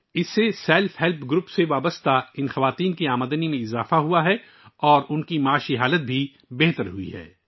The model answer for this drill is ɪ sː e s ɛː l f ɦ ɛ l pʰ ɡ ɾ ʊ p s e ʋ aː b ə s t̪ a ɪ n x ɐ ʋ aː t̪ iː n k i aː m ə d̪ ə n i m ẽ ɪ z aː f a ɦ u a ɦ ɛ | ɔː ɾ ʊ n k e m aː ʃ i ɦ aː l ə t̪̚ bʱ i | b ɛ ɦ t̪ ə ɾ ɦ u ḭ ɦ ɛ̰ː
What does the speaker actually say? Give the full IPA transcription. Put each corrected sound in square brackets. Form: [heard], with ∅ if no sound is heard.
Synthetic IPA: ɪ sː e s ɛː l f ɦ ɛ l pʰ ɡ ɾ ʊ p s e ʋ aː b ə s t̪ a ɪ n x ɐ ʋ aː t̪ iː n k i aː m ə d̪ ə n i m ẽ ɪ z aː f a ɦ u a ɦ ɛ | ɔː ɾ ʊ n k [i] m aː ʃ i ɦ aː l ə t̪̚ bʱ i | b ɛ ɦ t̪ ə ɾ ɦ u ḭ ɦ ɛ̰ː